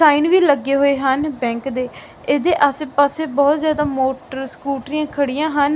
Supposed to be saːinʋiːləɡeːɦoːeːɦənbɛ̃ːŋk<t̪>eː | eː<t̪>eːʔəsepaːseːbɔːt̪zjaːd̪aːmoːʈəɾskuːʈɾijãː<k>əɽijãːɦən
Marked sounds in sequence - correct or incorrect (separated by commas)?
incorrect, incorrect, incorrect